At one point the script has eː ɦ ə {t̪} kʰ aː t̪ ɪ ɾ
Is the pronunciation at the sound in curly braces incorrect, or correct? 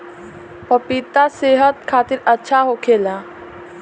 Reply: correct